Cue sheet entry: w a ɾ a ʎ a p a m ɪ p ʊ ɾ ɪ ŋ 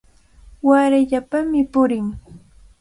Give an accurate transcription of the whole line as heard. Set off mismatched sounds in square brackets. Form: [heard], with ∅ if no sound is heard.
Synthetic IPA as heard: w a ɾ a ʎ a p a m ɪ p ʊ ɾ ɪ ŋ